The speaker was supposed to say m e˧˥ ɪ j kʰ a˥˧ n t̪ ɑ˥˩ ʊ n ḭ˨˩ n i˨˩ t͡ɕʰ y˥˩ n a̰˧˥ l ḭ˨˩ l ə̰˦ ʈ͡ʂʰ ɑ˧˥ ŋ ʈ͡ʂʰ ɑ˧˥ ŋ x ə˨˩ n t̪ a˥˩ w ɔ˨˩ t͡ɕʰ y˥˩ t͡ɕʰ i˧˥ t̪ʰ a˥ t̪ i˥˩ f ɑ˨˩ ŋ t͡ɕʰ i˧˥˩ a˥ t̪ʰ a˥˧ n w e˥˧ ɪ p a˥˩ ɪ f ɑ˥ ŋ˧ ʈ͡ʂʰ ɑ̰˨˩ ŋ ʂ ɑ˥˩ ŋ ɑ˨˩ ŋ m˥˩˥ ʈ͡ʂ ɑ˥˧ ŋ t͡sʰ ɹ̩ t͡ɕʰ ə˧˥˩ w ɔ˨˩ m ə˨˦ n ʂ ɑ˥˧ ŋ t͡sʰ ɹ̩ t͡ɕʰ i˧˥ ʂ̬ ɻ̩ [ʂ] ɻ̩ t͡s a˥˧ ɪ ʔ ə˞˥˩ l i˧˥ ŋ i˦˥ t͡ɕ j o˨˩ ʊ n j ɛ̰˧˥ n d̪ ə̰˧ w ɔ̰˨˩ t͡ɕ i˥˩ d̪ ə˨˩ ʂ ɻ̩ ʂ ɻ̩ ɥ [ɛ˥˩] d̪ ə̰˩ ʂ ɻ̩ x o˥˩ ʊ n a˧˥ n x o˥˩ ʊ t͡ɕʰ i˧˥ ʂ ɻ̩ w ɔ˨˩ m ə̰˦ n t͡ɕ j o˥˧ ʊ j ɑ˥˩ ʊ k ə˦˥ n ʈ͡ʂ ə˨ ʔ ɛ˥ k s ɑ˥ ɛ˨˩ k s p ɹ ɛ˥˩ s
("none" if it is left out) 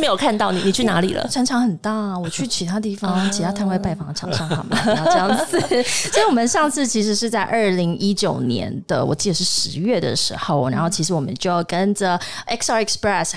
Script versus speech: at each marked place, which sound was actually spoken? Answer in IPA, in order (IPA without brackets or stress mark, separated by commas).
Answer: ʂ, ɛ˥˩